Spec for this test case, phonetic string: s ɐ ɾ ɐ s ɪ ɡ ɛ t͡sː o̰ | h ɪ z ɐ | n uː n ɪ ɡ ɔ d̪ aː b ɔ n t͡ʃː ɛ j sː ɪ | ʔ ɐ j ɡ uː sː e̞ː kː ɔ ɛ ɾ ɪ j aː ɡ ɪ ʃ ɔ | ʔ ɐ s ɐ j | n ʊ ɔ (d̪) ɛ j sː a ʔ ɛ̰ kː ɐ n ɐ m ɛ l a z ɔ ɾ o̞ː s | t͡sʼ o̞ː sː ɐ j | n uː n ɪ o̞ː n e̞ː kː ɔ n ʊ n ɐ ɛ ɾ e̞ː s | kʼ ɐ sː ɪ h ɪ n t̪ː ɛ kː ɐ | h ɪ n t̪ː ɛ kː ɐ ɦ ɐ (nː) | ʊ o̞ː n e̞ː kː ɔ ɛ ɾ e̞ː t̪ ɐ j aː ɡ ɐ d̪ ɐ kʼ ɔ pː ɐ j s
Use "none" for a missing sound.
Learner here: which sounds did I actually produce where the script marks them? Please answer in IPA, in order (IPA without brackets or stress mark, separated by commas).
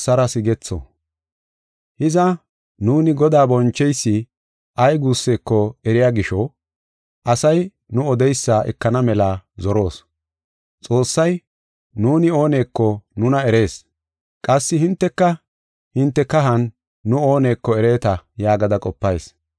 d̪, nː